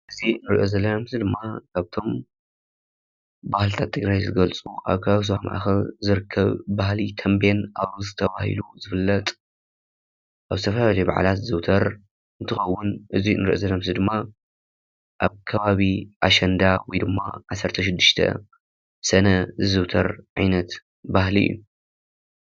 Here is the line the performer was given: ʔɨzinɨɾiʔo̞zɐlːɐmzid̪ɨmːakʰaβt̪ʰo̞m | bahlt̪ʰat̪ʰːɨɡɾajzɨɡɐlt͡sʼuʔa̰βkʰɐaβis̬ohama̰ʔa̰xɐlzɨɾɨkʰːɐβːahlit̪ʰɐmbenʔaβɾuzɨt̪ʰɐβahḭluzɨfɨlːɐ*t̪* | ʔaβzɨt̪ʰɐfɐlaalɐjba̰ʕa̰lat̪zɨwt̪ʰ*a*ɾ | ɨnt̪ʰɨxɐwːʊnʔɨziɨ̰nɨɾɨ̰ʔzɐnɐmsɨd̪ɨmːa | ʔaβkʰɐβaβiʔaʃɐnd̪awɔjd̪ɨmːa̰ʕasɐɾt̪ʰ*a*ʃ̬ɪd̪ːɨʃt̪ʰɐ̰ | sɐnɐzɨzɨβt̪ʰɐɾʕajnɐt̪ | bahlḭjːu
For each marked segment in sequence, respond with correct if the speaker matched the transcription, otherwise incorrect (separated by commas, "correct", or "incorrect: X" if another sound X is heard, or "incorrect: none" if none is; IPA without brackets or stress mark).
incorrect: t̪ʼ, incorrect: ɐ, incorrect: ɐ